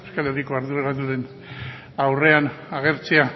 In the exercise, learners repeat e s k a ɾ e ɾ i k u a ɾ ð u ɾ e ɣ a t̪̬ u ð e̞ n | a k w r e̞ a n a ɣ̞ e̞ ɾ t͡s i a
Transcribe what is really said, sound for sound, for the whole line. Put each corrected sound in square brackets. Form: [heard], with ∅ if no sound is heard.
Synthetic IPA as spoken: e s k a [l] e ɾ i k [o] a ɾ ð u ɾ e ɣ a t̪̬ u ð e̞ n | a [∅] w r e̞ a n a ɣ̞ e̞ ɾ t͡s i a